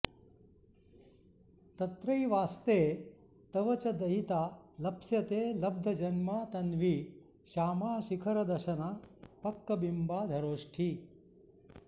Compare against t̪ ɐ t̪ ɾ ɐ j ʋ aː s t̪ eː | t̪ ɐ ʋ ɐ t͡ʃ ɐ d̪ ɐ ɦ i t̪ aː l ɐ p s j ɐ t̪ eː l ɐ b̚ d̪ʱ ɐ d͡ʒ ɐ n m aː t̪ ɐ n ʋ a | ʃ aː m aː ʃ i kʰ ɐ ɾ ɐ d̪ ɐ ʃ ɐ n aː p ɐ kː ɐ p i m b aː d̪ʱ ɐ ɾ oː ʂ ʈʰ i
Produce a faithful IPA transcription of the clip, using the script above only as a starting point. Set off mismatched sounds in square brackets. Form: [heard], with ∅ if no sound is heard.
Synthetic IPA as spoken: t̪ ɐ t̪ ɾ ɐ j ʋ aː s t̪ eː | t̪ ɐ ʋ ɐ t͡ʃ ɐ d̪ ɐ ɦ i t̪ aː l ɐ p s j ɐ t̪ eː l ɐ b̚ d̪ʱ ɐ d͡ʒ ɐ n m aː t̪ ɐ n ʋ [i] | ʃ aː m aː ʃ i kʰ ɐ ɾ ɐ d̪ ɐ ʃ ɐ n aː p ɐ kː ɐ [b] i m b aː d̪ʱ ɐ ɾ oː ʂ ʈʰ i